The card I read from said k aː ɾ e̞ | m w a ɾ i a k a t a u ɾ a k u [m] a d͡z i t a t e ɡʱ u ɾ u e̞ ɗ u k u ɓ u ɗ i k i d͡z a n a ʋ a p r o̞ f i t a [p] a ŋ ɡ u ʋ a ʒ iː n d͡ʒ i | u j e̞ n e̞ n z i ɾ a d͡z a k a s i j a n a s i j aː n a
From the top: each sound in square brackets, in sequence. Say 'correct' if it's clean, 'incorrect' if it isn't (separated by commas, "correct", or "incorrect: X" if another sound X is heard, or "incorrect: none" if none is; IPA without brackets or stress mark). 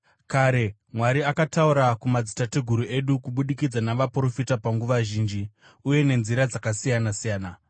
correct, correct